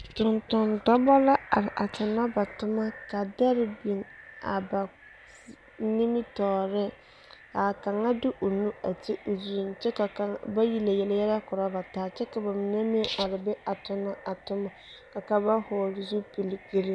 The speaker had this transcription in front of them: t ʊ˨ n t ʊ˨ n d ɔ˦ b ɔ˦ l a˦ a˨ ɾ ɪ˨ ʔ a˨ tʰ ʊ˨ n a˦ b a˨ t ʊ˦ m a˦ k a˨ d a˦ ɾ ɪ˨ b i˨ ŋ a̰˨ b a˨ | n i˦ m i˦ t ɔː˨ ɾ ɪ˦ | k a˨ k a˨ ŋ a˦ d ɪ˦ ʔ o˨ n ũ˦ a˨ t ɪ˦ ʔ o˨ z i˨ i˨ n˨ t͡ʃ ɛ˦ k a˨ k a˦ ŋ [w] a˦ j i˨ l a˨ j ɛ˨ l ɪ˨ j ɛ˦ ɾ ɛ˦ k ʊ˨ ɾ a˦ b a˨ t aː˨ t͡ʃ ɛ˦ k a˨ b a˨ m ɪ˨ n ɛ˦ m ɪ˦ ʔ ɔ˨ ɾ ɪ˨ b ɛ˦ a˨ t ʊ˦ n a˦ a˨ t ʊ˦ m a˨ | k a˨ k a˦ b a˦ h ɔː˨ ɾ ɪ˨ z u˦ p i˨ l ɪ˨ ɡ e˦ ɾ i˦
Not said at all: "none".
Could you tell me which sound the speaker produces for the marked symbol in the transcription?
b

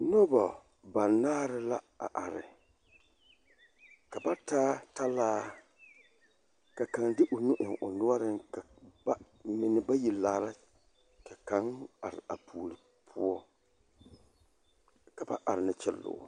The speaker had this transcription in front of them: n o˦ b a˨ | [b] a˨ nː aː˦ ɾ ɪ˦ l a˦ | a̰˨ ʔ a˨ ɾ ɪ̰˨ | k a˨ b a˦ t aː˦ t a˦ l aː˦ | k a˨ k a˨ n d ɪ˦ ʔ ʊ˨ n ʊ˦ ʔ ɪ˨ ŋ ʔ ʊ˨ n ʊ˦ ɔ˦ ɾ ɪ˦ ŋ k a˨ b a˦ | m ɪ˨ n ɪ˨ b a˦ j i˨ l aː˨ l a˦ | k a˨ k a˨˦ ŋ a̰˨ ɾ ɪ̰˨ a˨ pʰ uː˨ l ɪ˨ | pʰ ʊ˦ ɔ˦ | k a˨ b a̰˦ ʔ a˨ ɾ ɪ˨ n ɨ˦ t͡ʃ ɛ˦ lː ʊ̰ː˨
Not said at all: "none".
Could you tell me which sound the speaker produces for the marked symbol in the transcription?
b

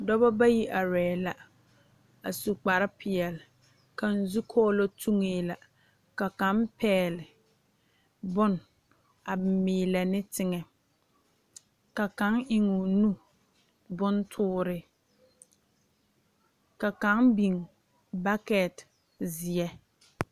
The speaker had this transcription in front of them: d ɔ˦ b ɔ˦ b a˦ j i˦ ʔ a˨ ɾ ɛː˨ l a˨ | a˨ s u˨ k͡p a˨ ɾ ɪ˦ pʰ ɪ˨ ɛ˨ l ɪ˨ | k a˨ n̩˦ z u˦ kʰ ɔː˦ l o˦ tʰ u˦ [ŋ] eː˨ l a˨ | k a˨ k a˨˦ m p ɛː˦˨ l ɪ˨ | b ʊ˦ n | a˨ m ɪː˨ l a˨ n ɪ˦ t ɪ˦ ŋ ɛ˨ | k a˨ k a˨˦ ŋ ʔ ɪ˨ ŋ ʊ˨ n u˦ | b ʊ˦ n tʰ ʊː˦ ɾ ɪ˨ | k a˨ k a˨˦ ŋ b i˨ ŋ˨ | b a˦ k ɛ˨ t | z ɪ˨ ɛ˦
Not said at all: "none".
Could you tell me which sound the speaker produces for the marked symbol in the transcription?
ŋ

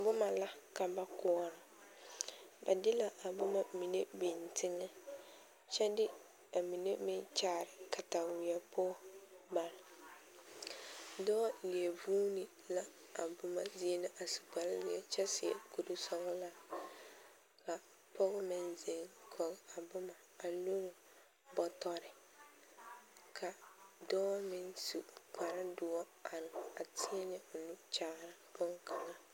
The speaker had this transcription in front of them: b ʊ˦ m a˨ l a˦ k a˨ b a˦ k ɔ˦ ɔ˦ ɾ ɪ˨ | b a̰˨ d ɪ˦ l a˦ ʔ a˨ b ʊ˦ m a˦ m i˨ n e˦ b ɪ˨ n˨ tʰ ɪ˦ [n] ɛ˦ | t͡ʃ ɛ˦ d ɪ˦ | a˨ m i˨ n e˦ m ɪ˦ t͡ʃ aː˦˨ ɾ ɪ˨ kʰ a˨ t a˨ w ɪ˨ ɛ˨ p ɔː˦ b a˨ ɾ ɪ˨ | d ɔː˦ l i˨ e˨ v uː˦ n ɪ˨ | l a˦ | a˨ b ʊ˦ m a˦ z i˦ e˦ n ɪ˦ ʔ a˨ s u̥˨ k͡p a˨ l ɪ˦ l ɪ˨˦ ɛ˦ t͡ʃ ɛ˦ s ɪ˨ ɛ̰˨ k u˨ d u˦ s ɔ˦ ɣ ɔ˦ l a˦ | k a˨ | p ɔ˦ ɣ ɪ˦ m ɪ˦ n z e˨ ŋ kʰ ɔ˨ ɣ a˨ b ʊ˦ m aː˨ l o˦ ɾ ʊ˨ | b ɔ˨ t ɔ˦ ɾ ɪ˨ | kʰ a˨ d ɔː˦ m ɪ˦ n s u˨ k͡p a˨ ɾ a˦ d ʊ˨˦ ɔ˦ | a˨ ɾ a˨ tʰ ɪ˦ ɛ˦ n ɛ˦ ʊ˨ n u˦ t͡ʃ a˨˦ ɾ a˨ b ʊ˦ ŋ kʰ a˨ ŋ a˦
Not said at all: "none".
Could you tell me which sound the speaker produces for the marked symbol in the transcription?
ŋ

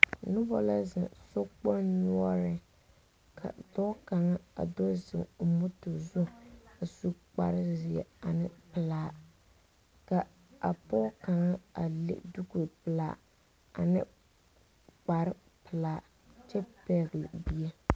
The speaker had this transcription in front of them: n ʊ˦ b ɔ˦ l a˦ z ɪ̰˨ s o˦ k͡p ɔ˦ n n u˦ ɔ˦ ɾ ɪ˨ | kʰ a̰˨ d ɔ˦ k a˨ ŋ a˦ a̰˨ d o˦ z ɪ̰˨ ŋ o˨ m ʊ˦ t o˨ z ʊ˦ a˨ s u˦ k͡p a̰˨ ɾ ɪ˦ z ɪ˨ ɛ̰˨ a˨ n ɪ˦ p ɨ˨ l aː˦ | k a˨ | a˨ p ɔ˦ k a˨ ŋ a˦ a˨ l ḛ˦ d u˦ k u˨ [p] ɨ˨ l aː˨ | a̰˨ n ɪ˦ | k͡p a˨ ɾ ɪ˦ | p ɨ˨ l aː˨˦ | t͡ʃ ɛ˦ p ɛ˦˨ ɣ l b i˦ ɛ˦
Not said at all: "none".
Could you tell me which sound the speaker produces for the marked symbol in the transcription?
p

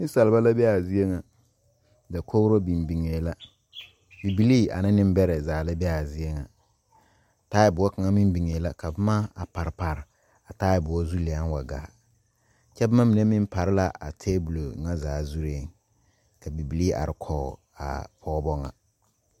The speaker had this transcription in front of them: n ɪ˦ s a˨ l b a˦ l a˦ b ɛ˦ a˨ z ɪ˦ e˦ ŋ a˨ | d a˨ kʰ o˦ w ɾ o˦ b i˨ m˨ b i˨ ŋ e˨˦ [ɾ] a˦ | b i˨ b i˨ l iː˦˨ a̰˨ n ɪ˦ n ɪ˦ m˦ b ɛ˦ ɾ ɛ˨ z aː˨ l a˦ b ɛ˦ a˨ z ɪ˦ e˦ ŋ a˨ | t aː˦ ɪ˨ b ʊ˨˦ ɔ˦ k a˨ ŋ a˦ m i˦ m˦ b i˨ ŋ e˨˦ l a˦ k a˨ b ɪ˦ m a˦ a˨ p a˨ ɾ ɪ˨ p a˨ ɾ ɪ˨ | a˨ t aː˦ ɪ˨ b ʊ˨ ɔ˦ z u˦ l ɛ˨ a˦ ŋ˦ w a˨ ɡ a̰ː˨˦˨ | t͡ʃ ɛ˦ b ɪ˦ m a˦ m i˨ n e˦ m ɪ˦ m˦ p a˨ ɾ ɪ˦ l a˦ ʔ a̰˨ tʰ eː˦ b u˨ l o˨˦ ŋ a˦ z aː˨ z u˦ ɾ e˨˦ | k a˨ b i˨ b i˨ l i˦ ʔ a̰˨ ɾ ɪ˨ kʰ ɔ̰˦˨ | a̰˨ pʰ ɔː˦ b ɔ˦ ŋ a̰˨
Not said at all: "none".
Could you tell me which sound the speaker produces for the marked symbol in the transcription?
l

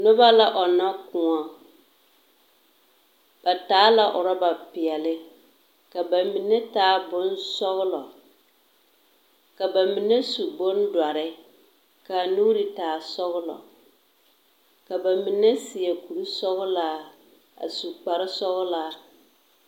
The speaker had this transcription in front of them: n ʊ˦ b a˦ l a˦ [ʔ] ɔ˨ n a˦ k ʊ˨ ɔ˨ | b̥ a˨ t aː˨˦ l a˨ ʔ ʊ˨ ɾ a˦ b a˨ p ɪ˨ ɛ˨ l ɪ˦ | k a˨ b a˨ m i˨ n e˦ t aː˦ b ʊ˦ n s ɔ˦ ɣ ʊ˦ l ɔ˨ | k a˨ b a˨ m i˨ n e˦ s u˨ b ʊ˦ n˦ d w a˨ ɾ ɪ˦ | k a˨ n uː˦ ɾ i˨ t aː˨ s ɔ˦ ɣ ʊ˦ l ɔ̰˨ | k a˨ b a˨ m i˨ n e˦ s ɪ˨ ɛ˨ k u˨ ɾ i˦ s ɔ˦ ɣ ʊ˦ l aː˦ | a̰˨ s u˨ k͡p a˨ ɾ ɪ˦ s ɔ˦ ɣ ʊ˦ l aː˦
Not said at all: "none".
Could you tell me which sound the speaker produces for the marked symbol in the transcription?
ʔ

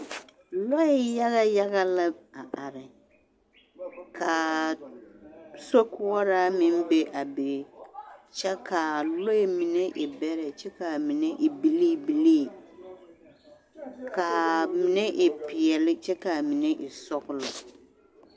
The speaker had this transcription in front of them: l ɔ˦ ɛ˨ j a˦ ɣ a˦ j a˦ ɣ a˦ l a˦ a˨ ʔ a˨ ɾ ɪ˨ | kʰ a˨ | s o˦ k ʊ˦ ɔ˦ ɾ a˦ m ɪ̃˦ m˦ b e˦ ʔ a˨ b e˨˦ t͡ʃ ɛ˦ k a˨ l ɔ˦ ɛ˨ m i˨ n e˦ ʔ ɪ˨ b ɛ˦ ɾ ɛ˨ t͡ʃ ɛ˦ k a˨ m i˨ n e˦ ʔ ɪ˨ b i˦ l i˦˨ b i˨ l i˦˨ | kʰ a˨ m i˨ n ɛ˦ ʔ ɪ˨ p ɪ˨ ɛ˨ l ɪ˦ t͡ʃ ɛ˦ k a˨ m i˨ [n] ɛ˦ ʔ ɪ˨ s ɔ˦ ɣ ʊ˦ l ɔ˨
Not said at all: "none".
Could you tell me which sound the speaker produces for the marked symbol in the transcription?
n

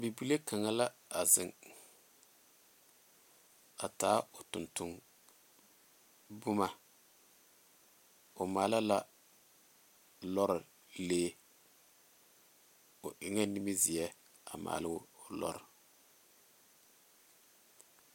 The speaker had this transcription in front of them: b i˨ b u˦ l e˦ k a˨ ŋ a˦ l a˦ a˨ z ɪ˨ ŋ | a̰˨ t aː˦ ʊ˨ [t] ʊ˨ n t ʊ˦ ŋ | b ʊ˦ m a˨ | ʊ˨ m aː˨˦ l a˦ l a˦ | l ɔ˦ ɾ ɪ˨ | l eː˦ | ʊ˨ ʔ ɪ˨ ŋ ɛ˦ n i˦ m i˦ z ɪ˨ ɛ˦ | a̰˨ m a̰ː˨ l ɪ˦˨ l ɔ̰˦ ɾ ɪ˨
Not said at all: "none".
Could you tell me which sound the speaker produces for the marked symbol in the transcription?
t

